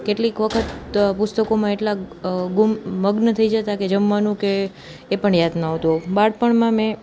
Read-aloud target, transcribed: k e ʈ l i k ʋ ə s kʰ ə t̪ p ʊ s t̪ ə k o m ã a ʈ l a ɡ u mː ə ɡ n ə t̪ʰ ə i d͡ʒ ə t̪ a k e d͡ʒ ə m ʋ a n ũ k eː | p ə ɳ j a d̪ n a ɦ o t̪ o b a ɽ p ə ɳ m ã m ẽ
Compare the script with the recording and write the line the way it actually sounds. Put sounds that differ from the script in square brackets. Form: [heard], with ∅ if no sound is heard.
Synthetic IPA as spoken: k e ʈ l i k ʋ ə [∅] kʰ ə t̪ p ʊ s t̪ ə k o m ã [e] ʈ l a ɡ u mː ə ɡ n ə t̪ʰ ə i d͡ʒ ə t̪ a k e d͡ʒ ə m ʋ a n ũ k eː | p ə ɳ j a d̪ n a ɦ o t̪ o b a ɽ p ə ɳ m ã m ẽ